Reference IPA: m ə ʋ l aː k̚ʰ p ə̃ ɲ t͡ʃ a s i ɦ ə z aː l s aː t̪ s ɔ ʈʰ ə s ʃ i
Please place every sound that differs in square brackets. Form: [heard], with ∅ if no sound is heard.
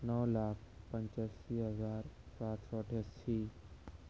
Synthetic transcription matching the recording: [n] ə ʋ l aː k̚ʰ p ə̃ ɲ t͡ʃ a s i ɦ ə z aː [ɾ] s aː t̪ s ɔ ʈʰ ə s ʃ i